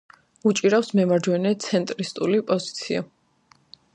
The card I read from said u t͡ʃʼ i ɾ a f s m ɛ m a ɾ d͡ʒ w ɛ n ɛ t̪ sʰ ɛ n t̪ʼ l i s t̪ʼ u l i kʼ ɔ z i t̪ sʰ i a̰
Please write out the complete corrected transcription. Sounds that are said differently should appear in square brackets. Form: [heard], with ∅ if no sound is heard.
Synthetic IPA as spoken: u t͡ʃʼ i ɾ a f s m ɛ m a ɾ d͡ʒ w ɛ n ɛ t̪ sʰ ɛ n t̪ʼ [ɾ] i s t̪ʼ u l i [pʼ] ɔ z i t̪ sʰ i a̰